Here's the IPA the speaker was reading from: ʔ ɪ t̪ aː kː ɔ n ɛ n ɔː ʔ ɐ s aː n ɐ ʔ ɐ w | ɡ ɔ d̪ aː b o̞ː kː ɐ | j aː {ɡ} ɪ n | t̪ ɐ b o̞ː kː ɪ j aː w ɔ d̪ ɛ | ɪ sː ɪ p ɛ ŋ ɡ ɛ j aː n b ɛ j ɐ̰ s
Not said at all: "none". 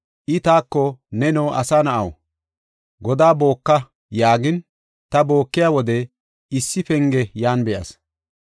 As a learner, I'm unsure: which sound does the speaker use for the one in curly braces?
ɡ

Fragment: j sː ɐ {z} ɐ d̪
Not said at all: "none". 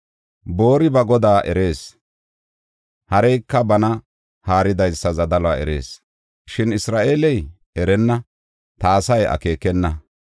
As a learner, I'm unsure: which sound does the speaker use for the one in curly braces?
z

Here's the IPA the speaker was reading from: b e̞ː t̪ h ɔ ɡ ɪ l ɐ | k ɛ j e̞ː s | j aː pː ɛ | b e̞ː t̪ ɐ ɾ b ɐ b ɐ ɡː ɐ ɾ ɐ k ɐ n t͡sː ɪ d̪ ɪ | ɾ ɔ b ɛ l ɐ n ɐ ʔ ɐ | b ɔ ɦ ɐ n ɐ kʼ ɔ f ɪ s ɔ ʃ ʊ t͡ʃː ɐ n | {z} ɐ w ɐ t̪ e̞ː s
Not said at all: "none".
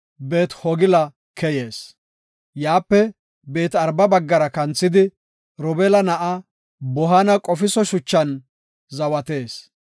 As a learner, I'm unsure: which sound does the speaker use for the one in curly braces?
z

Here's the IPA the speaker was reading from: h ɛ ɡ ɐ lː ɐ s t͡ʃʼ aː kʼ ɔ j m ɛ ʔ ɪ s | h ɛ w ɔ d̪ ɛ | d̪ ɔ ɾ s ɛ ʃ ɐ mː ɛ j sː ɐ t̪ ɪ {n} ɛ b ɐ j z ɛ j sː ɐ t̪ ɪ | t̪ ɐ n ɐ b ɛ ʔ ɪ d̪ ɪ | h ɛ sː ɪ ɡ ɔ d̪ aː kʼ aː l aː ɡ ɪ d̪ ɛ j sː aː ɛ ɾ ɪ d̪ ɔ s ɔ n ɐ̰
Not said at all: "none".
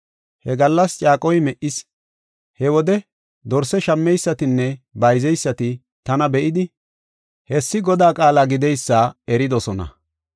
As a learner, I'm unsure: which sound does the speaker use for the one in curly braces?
nː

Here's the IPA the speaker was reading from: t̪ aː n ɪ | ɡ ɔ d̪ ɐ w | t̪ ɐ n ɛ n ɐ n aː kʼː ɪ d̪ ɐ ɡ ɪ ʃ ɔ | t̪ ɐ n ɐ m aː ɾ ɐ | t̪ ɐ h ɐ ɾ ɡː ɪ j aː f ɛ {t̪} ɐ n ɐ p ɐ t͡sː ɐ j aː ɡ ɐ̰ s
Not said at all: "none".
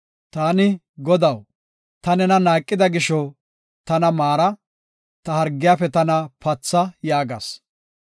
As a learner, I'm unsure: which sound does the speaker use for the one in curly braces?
t̪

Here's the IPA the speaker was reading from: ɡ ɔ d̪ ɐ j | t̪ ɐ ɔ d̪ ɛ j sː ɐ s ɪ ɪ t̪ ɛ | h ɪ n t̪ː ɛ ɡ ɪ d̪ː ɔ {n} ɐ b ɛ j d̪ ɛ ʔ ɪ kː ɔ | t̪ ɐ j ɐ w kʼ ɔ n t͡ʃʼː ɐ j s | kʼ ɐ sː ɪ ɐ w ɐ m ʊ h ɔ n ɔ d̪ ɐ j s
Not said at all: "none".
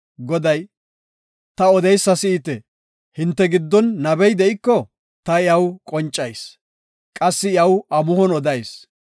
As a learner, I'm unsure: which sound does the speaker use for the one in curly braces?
nː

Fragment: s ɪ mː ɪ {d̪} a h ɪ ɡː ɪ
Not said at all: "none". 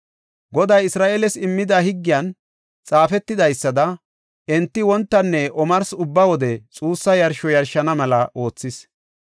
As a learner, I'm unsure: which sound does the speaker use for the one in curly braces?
d̪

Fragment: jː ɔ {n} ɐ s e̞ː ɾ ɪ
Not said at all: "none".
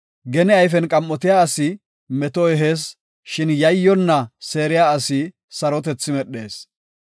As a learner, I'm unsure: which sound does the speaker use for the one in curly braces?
nː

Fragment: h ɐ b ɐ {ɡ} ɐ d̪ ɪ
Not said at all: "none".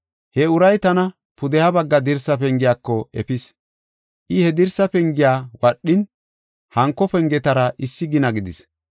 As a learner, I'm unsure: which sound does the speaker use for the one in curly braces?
ɡː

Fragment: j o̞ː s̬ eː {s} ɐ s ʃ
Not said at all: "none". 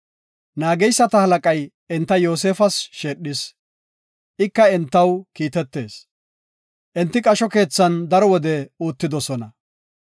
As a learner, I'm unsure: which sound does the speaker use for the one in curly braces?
f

